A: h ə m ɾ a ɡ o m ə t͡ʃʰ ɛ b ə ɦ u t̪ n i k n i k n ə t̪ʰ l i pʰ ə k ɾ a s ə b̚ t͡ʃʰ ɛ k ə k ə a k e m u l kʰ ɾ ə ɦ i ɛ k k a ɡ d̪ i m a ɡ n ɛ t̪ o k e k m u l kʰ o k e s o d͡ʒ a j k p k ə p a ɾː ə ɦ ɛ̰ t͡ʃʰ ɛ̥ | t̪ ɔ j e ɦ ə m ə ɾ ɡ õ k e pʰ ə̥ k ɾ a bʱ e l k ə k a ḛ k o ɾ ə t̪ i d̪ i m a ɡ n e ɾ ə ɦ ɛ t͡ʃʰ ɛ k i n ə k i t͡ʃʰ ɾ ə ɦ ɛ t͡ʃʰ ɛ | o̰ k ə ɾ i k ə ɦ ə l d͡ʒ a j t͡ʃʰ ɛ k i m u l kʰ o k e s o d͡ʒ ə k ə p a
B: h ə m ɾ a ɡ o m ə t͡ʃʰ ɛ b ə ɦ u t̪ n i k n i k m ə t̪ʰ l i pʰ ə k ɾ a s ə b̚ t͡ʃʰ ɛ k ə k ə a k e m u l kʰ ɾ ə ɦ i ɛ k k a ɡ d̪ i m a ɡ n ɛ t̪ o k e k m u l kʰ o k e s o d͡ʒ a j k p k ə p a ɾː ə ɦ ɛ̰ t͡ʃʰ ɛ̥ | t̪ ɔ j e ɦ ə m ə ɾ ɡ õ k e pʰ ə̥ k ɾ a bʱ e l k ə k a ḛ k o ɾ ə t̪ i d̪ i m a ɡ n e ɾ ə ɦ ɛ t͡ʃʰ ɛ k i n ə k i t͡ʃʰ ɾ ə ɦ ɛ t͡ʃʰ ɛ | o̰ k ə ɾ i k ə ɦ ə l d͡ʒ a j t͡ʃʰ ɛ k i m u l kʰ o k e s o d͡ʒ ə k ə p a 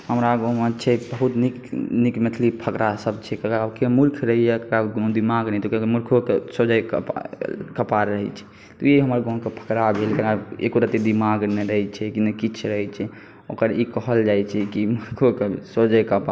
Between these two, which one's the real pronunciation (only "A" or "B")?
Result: B